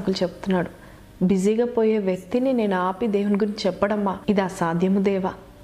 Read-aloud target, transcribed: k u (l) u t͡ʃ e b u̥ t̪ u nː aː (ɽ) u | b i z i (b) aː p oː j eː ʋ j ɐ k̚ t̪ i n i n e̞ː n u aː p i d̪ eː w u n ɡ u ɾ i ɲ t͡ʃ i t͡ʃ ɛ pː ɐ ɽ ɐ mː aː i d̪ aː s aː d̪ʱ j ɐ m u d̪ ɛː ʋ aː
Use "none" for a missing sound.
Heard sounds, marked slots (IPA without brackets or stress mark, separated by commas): l, ɽ, ɡ